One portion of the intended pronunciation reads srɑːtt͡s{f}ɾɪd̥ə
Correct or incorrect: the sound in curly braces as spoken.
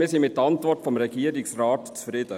correct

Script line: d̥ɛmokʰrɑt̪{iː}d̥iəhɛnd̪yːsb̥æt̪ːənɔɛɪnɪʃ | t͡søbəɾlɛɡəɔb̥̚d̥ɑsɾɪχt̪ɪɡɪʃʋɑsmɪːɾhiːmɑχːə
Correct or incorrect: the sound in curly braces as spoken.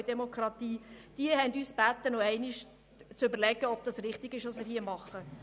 correct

